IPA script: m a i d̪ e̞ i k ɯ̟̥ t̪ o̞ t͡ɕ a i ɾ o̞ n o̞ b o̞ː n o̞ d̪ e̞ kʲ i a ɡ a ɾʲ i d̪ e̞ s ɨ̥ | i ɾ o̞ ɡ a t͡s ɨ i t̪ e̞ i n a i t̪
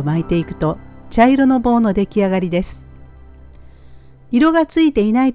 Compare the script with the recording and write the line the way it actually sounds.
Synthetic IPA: m a i t̪ e̞ i k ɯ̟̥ t̪ o̞ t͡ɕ a i ɾ o̞ n o̞ b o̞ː n o̞ d̪ e̞ kʲ i a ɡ a ɾʲ i d̪ e̞ s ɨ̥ | i ɾ o̞ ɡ a t͡s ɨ i t̪ e̞ i n a i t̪